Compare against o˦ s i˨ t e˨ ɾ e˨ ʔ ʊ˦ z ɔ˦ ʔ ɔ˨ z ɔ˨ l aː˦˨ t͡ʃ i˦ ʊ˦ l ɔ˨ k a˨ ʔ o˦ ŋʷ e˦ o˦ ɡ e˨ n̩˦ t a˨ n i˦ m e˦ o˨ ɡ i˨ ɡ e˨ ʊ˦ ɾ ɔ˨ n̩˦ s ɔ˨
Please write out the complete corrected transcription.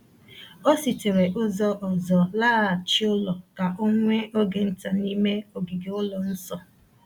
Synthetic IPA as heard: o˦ s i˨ t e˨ ɾ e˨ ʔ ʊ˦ z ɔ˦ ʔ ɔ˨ z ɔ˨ l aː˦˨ t͡ʃ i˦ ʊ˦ l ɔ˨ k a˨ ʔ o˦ ŋʷ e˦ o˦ ɡ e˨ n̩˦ t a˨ n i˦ m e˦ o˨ ɡ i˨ ɡ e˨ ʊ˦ l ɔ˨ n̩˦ s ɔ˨